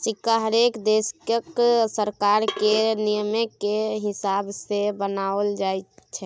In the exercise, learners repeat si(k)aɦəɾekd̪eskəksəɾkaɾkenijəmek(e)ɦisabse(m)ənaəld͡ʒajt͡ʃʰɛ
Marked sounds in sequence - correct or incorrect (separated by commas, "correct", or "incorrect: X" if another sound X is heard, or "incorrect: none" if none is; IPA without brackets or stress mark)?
correct, correct, incorrect: b